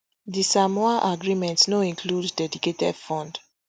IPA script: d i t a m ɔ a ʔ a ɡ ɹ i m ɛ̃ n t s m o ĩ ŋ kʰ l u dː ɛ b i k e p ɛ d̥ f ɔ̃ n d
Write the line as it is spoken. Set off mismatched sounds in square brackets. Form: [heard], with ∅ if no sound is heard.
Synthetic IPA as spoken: d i [s] a m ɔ a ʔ a ɡ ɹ i m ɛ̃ n t s [n] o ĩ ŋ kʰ l u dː ɛ [d] i k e [t] ɛ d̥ f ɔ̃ n d